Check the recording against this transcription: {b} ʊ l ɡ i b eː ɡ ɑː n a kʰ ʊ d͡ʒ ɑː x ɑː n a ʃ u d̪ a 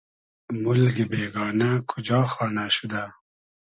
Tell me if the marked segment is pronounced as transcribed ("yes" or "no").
no